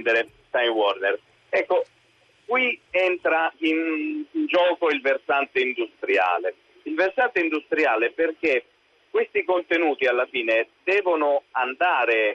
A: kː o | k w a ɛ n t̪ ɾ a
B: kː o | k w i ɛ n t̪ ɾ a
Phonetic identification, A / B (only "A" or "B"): B